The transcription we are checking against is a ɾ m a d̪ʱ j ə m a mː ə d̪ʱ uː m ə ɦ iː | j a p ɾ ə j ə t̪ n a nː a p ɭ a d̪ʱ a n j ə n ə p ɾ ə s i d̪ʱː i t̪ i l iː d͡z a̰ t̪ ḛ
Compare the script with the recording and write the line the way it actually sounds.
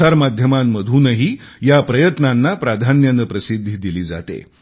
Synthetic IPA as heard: a ɾ m a d̪ʱ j ə m a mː ə d̪ʱ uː n ə ɦ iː | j a p ɾ ə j ə t̪ n a nː a p ɾ a d̪ʱ a n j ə n ə p ɾ ə s i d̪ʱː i d̪ i l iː d͡z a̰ t̪ ḛ